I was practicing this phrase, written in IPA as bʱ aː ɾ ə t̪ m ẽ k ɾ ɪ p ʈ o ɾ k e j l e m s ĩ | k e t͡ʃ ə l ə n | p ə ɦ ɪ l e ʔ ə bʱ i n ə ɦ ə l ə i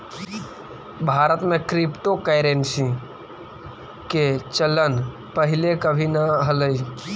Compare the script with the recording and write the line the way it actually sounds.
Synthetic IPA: bʱ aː ɾ ə t̪ m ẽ k ɾ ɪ p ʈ o k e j ɾ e n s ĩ | k e t͡ʃ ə l ə n | p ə ɦ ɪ l e k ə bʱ i n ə ɦ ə l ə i